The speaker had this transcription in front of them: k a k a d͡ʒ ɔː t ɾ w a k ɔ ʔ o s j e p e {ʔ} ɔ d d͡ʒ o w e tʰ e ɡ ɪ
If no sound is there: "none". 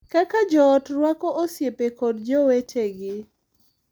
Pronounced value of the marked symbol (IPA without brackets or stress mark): k